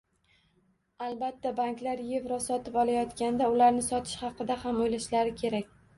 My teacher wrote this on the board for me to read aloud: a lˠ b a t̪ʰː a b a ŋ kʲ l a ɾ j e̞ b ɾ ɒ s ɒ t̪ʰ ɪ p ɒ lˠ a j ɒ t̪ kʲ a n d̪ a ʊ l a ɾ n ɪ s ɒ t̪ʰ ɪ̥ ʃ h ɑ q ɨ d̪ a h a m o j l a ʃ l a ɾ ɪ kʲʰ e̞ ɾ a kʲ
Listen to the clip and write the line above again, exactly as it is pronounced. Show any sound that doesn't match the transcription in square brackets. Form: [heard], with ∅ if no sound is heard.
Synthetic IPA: a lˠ b a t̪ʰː a b a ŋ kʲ l a ɾ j e̞ [v] ɾ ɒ s ɒ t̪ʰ ɪ p ɒ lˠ a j ɒ t̪ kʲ a n d̪ a ʊ l a ɾ n ɪ s ɒ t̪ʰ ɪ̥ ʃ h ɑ q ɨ d̪ a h a m o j l a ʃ l a ɾ ɪ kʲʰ e̞ ɾ a kʲ